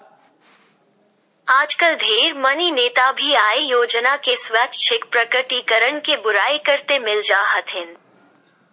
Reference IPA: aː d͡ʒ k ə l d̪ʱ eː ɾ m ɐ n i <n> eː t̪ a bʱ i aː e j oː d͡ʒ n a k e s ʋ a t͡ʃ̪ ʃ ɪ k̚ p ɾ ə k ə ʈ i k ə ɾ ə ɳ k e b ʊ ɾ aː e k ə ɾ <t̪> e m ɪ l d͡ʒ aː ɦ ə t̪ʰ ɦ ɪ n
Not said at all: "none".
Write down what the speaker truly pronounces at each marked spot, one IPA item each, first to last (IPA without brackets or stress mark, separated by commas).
n, t̪